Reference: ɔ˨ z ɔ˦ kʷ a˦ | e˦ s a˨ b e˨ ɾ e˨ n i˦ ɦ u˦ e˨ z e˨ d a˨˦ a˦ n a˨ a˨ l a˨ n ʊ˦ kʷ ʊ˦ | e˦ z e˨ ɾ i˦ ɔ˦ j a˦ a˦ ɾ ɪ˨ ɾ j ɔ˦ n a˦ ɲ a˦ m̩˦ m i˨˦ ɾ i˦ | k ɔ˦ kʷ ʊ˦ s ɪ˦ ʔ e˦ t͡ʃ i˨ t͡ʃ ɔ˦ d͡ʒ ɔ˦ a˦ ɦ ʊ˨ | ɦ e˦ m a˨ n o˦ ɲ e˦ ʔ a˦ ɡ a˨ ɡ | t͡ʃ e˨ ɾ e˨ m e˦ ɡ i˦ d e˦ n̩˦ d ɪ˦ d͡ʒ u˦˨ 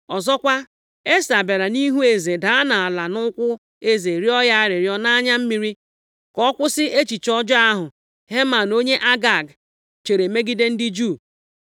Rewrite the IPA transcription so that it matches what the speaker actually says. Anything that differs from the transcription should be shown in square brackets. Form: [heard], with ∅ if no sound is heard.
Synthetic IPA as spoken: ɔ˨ z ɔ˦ kʷ a˦ | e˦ s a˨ b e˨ ɾ [a˨] n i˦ ɦ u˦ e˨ z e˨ d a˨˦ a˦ n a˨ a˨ l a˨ n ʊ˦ kʷ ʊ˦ | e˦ z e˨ ɾ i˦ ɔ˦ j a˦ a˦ ɾ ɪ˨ ɾ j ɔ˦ n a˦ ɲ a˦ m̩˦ m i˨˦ ɾ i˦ | k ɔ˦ kʷ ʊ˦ s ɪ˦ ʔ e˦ t͡ʃ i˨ t͡ʃ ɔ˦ d͡ʒ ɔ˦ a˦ ɦ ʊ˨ | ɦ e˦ m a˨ n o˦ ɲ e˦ ʔ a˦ ɡ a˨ ɡ | t͡ʃ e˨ ɾ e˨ m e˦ ɡ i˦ d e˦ n̩˦ d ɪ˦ d͡ʒ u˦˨